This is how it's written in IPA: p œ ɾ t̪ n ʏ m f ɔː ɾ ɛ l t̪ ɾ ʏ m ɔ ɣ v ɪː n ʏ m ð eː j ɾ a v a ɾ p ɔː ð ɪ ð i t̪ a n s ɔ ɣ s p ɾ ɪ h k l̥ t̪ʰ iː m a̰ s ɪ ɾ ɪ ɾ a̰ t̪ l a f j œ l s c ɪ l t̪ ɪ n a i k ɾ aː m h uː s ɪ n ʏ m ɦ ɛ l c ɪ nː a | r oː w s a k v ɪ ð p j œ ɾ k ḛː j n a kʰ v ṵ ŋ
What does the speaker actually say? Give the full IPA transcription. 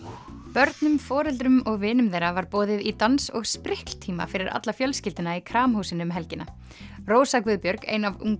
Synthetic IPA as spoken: p œ ɾ t̪ n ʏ m f ɔː ɾ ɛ l t̪ ɾ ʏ m ɔ ɣ v ɪː n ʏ m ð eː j ɾ a v a ɾ p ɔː ð ɪ ð i t̪ a n s ɔ ɣ s p ɾ ɪ h k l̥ t̪ʰ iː m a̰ f ɪ ɾ ɪ ɾ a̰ t̪ l a f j œ l s c ɪ l t̪ ɪ n a i kʰ ɾ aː m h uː s ɪ n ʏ m ɦ ɛ l c ɪ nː a | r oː w s a k v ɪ ð p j œ ɾ k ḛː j n a v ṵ ŋ